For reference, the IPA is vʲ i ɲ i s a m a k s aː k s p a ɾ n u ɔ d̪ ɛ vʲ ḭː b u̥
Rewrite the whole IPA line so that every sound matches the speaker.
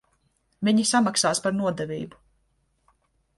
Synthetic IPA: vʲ i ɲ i s a m a k s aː s p a ɾ n u ɔ d̪ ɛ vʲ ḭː b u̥